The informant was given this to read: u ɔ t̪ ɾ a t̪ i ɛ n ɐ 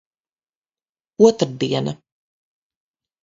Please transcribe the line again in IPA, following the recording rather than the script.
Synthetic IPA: u ɔ t̪ ɾ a d̪ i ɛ n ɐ